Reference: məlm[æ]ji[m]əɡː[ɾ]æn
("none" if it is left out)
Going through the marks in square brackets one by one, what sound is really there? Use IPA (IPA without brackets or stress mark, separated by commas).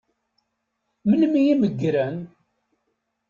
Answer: i, m, ɾ